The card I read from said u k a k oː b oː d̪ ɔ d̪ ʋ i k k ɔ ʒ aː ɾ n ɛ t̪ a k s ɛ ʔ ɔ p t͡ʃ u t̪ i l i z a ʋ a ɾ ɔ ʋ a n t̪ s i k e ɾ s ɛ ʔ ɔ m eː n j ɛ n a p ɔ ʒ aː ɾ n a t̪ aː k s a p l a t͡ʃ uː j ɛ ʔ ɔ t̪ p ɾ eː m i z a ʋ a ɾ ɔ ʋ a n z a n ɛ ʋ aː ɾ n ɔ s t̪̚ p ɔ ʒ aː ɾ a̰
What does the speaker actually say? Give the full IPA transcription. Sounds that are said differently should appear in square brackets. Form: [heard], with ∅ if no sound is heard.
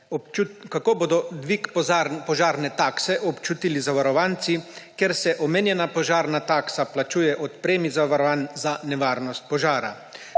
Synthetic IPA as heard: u k a k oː b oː d̪ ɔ d̪ ʋ i k [p] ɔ ʒ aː ɾ n ɛ t̪ a k s ɛ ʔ ɔ p t͡ʃ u t̪ i l i z a ʋ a ɾ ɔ ʋ a n t̪ s i k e ɾ s ɛ ʔ ɔ m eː n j ɛ n a p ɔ ʒ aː ɾ n a t̪ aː k s a p l a t͡ʃ uː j ɛ ʔ ɔ t̪ p ɾ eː m i z a ʋ a ɾ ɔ ʋ a n z a n ɛ ʋ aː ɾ n ɔ s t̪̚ p ɔ ʒ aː ɾ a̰

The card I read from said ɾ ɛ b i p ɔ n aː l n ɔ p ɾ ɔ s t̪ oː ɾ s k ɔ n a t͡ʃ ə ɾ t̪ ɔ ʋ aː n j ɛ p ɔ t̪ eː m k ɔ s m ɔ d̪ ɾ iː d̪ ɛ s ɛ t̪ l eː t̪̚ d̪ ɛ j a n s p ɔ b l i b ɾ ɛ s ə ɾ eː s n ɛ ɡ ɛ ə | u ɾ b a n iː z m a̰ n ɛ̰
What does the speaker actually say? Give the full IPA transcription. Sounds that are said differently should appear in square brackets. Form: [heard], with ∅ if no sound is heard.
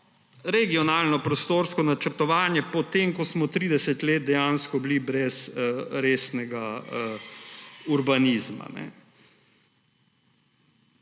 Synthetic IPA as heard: ɾ ɛ [ɡ] i [∅] ɔ n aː l n ɔ p ɾ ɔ s t̪ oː ɾ s k ɔ n a t͡ʃ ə ɾ t̪ ɔ ʋ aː n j ɛ p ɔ t̪ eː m k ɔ s m ɔ [t̪] ɾ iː d̪ ɛ s ɛ t̪ l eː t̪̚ d̪ ɛ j a n s [k] ɔ b l i b ɾ ɛ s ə ɾ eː s n ɛ ɡ [a] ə | u ɾ b a n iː z m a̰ n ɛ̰

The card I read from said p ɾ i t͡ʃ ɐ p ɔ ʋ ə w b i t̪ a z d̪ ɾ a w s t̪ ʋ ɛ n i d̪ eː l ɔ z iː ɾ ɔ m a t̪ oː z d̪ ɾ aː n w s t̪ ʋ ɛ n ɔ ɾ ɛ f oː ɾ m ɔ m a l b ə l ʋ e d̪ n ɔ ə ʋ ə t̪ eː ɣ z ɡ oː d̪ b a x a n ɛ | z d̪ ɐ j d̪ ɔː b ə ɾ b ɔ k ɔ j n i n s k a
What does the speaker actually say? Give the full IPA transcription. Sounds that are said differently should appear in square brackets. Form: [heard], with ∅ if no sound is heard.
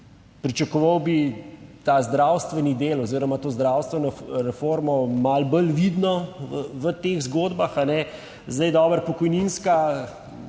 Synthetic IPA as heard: p ɾ i t͡ʃ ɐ [k] ɔ ʋ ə w b i t̪ a z d̪ ɾ a w s t̪ ʋ ɛ n i d̪ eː l ɔ z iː ɾ ɔ m a t̪ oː z d̪ ɾ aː [∅] w s t̪ ʋ ɛ n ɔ ɾ ɛ f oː ɾ m ɔ m a l b ə l ʋ [i] d̪ n ɔ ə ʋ ə t̪ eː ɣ z ɡ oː d̪ b a x a n ɛ | z d̪ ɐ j d̪ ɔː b ə ɾ [p] ɔ k ɔ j n i n s k a

